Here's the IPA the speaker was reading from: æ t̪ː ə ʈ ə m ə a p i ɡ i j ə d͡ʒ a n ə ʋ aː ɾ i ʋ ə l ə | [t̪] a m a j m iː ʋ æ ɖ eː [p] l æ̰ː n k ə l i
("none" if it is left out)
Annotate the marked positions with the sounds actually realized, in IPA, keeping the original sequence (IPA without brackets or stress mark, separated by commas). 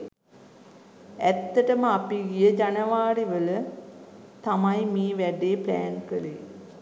t̪, p